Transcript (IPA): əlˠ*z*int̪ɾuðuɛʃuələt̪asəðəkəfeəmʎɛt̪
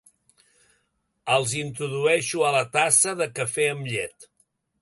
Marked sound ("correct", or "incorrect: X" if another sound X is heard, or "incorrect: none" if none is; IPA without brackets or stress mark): correct